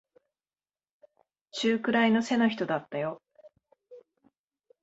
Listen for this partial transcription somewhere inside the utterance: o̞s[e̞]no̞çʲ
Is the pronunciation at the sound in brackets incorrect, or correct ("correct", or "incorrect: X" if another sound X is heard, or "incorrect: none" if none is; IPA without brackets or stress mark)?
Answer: correct